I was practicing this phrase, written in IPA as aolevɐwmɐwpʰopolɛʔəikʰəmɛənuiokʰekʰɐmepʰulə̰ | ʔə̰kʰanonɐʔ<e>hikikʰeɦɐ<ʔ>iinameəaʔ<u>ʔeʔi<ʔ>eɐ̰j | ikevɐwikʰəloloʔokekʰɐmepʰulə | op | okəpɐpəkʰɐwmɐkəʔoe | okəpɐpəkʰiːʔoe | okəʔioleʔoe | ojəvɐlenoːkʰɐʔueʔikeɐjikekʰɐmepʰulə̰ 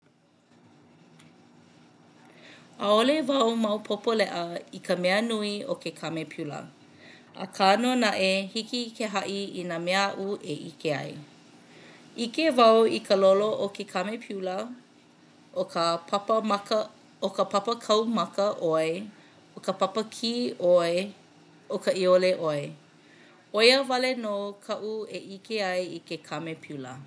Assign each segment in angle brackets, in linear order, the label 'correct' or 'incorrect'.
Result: correct, correct, correct, incorrect: k

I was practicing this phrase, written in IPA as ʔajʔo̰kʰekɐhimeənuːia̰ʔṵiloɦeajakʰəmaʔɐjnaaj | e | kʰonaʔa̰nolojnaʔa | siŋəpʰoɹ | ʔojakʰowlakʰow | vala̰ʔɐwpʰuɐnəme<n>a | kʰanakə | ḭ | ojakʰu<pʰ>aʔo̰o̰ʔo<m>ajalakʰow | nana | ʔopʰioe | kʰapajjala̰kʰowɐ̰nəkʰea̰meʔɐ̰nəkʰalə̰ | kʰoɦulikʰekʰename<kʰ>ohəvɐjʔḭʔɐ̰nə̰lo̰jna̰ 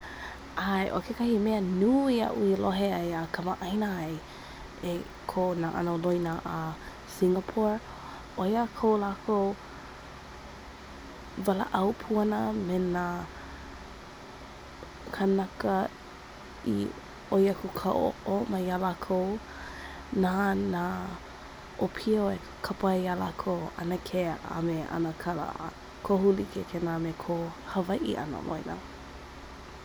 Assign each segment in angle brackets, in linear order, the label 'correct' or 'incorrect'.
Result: correct, incorrect: kʰ, correct, correct

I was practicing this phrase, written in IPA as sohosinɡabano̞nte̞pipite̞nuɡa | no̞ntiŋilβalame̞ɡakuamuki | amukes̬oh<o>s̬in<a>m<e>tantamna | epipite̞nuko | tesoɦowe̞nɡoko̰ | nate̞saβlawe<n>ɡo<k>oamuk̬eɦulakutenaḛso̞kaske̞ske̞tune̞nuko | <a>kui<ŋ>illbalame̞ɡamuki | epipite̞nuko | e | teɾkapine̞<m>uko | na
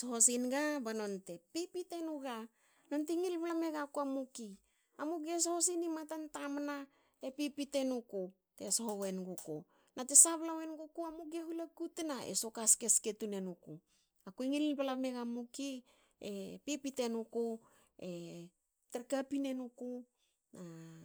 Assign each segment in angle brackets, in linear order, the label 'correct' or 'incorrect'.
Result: correct, incorrect: i, incorrect: a, correct, correct, correct, correct, incorrect: n

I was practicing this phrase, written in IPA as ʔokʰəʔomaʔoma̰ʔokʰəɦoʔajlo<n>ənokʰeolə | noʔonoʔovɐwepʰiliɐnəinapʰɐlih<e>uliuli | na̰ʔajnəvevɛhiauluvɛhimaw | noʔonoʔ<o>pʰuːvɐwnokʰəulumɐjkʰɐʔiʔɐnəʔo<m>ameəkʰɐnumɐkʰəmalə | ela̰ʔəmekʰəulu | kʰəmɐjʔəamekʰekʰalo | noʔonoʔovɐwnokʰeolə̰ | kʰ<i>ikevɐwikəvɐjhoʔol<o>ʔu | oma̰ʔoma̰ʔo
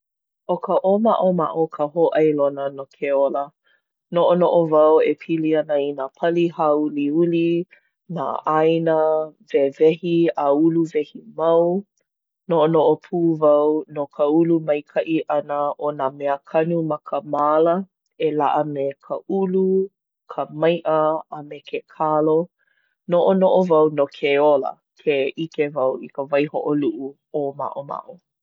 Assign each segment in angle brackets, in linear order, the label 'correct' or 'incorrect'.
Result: correct, incorrect: a, correct, incorrect: n, incorrect: e, incorrect: u

